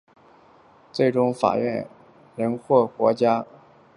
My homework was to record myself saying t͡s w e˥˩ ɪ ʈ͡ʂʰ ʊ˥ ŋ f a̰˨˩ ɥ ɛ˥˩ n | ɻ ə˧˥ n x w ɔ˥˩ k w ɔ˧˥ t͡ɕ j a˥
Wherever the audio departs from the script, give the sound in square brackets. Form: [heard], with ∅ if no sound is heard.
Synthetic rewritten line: t͡s w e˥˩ ɪ [ʈ͡ʂ] ʊ˥ ŋ f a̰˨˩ ɥ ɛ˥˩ n | ɻ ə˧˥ n x w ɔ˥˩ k w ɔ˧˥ t͡ɕ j a˥